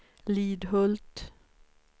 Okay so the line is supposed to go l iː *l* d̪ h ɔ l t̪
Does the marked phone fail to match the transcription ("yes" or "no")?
yes